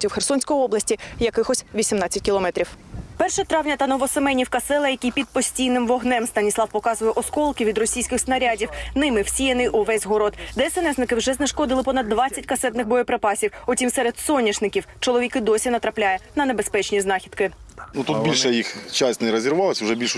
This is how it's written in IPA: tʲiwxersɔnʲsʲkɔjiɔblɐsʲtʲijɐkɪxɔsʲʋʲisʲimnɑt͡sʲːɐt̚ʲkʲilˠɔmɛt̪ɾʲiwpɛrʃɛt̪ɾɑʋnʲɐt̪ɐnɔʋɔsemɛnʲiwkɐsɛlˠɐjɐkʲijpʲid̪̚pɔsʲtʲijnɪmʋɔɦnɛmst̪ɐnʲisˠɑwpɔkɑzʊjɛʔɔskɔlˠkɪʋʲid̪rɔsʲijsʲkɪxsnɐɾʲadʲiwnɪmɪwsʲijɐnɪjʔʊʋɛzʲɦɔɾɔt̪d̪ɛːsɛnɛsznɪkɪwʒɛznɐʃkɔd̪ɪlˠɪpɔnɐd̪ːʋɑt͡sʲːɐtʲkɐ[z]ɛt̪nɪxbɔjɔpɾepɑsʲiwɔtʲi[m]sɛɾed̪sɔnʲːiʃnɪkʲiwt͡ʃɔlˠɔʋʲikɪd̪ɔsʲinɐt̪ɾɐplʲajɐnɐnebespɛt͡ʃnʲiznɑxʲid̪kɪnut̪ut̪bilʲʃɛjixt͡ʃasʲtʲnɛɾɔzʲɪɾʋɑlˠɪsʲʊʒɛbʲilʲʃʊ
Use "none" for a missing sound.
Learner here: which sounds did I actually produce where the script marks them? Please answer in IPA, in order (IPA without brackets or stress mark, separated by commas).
s, m